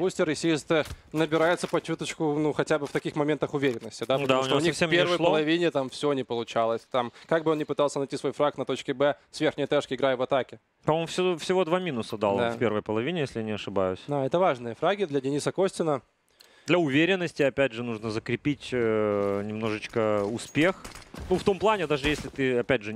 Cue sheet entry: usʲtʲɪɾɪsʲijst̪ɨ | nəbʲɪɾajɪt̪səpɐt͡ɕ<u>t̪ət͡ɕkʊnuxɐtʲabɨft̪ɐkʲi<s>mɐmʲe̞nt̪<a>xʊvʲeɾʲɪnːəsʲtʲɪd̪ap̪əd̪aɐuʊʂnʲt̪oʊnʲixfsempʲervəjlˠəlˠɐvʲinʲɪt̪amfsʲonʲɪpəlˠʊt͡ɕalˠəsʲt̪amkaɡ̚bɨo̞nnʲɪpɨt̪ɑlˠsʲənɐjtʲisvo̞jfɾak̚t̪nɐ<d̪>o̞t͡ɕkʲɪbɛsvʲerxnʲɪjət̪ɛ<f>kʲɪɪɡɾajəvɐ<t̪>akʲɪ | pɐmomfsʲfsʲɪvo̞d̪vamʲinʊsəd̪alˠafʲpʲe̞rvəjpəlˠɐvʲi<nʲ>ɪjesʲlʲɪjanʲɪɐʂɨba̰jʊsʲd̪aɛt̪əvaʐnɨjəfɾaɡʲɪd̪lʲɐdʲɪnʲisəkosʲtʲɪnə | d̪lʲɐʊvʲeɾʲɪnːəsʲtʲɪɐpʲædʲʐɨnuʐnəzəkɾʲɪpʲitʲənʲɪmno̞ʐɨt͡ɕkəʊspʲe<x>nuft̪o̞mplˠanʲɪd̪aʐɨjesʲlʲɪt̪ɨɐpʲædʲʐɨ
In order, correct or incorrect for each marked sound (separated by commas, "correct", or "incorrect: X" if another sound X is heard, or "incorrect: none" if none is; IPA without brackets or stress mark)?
correct, incorrect: x, incorrect: ə, incorrect: t̪, incorrect: ʂ, correct, correct, correct